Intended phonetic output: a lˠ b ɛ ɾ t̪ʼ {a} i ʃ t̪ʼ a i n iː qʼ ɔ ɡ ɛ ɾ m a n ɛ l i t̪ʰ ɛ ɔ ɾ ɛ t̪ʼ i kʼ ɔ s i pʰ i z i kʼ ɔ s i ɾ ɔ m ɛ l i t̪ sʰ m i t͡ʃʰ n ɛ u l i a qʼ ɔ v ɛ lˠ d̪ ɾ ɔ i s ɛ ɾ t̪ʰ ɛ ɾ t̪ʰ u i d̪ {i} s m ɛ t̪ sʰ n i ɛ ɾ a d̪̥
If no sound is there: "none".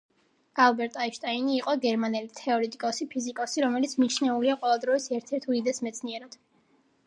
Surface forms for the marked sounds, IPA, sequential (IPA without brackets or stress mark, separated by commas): a, ɛ